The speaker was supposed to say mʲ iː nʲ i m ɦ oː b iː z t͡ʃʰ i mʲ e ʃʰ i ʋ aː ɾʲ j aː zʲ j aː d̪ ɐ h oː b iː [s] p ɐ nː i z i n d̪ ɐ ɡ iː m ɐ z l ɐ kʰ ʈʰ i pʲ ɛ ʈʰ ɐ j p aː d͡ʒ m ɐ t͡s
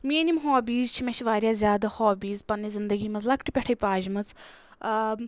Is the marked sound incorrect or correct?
incorrect